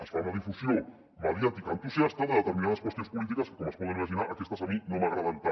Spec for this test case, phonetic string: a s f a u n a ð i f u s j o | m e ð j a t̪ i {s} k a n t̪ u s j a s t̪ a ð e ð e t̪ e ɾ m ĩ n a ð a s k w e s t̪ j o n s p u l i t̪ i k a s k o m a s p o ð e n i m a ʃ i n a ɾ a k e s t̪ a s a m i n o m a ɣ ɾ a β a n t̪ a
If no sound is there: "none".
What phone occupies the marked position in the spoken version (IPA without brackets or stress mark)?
none